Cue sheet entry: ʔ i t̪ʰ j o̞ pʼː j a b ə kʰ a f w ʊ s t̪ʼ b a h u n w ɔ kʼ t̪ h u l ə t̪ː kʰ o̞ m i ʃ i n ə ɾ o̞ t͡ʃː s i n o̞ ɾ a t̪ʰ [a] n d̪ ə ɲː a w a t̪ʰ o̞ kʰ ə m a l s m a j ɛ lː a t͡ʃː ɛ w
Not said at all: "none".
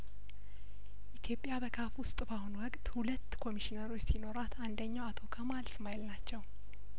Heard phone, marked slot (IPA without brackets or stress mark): a